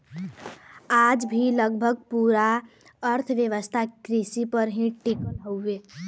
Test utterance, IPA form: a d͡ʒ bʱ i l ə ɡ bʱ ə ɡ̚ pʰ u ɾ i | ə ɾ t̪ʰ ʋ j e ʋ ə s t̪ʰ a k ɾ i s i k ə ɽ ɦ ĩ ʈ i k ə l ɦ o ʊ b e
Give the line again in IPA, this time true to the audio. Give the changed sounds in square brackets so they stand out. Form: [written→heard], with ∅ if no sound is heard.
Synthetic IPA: a d͡ʒ bʱ i l ə ɡ bʱ ə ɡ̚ [pʰ→p] u ɾ [i→a] | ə ɾ t̪ʰ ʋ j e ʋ ə s t̪ʰ a k ɾ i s i [k→p] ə [ɽ→ɾ] ɦ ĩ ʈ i k ə l ɦ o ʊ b e